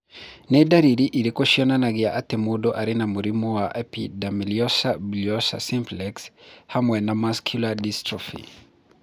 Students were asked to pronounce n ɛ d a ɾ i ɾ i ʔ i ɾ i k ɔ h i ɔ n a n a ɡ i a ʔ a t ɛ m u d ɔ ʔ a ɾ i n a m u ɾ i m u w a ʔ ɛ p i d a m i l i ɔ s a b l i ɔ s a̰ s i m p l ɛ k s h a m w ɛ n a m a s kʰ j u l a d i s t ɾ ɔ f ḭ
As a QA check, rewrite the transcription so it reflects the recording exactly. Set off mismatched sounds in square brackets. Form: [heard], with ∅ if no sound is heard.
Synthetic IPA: n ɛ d a ɾ i ɾ i ʔ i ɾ i k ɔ [ʃ] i ɔ n a n a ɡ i a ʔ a t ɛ m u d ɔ ʔ a ɾ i n a m u ɾ i m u w a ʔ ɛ p i d a m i l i ɔ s a b l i ɔ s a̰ s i m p l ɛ k s h a m w ɛ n a m a s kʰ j u l a d i s t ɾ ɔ f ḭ